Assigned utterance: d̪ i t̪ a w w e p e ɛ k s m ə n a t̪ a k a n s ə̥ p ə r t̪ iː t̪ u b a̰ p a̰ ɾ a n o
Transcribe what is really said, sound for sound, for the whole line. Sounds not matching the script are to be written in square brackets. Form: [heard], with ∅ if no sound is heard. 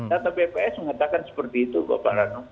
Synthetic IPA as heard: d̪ [a] t̪ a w [b] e p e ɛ [∅] s m ə [ŋ] a t̪ a k a n s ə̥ p ə r t̪ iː t̪ u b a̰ p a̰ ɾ a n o